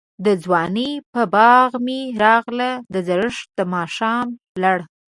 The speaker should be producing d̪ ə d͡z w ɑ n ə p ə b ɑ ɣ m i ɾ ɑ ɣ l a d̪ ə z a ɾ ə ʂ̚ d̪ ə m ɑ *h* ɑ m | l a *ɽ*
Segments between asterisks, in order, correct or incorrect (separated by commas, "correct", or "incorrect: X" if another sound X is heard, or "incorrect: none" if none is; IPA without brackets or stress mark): incorrect: ʃ, correct